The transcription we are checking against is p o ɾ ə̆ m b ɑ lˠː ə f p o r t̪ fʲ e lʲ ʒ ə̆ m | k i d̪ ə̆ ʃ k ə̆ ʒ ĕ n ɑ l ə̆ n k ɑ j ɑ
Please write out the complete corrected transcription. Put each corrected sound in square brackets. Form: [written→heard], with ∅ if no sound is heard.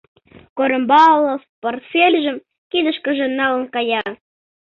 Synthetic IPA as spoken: [p→k] o ɾ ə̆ m b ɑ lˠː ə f p o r t̪ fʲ e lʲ ʒ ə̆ m | k i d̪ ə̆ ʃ k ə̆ ʒ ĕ n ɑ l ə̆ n k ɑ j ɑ

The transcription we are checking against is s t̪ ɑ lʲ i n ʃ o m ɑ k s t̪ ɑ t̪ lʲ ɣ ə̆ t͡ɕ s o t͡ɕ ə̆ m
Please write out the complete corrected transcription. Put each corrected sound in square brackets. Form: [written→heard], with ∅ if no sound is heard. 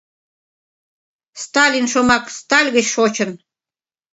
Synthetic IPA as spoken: s t̪ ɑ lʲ i n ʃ o m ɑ k s t̪ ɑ [t̪→∅] lʲ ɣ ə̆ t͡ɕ [s→ʃ] o t͡ɕ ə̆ [m→n]

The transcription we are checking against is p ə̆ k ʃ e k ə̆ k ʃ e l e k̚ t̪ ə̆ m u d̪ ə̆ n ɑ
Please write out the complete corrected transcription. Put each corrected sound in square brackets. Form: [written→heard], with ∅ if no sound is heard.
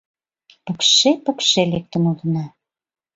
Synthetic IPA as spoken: p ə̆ k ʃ e [k→p] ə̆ k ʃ e l e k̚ t̪ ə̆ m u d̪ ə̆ n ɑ

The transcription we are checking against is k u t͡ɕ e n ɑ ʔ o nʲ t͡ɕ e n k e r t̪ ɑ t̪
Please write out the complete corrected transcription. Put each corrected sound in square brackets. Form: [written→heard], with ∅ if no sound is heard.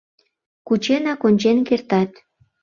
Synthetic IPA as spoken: k u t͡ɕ e n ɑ [ʔ→k] o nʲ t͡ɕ e n k e r t̪ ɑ t̪

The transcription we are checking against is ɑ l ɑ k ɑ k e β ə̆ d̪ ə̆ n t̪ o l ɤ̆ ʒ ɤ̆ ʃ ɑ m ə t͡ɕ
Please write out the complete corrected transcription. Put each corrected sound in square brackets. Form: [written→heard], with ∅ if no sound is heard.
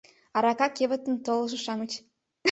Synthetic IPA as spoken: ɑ [l→ɾ] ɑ k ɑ k e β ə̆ [d̪→t̪] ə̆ n t̪ o l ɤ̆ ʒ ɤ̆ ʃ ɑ m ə t͡ɕ

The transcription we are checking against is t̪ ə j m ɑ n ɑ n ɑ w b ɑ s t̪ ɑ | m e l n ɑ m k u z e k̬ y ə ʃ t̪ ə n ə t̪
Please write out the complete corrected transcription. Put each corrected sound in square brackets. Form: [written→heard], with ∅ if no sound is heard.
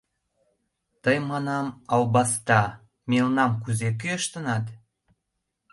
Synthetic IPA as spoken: t̪ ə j m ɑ n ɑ [n→m] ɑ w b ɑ s t̪ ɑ | m e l n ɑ m k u z e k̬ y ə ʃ t̪ ə n [ə→ɑ] t̪

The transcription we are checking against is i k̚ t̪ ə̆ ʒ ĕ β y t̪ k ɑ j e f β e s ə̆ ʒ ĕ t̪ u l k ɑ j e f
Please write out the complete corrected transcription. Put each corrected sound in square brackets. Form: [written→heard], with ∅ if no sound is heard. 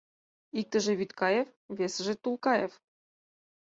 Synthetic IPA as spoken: i k̚ t̪ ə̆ ʒ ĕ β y t̪ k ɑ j e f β e s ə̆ ʒ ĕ t̪ u l k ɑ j e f

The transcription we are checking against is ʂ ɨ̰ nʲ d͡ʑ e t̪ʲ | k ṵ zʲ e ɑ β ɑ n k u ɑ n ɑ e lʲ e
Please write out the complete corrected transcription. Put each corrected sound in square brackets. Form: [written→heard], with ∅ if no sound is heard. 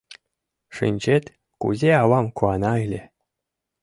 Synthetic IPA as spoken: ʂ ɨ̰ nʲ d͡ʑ e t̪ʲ | k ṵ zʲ e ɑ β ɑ [n→m] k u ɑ n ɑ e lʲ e

